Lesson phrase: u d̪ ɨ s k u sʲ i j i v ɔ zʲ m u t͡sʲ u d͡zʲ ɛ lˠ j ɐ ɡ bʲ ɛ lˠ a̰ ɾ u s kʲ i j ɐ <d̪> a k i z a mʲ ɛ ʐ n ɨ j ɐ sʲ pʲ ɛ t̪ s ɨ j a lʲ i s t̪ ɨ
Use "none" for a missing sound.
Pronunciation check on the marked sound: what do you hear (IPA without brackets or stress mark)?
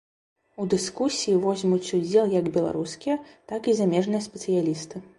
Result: t̪